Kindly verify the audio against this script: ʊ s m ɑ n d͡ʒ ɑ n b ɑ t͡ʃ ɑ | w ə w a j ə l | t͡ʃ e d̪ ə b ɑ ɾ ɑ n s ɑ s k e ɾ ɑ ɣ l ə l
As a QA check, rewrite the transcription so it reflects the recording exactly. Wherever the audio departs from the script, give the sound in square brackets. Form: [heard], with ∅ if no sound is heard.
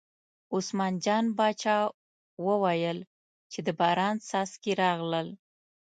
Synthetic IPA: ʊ s m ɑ n d͡ʒ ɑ n b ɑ t͡ʃ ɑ | w ə w a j ə l | t͡ʃ e d̪ ə b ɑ ɾ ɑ n s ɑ s k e ɾ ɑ ɣ l ə l